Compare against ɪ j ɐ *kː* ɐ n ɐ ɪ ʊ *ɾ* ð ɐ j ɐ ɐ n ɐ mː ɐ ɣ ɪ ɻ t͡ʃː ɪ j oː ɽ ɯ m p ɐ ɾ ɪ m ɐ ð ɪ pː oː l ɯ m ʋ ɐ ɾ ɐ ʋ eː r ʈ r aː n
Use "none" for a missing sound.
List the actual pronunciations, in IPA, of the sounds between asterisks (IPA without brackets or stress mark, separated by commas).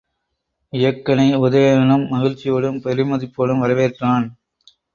kː, none